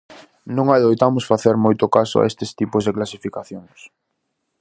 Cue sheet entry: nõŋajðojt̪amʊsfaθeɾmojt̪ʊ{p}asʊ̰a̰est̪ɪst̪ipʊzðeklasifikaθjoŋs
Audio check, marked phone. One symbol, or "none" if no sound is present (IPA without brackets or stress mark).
k